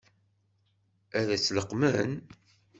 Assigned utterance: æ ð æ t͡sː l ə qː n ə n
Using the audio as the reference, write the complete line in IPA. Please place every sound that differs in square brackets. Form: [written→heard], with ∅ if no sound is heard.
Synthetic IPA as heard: æ ð æ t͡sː l ə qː [n→m] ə n